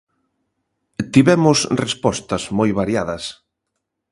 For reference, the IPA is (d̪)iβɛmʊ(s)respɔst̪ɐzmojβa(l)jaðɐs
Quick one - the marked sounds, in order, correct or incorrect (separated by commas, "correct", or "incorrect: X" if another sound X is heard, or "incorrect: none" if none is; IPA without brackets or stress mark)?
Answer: incorrect: t̪, correct, incorrect: ɾ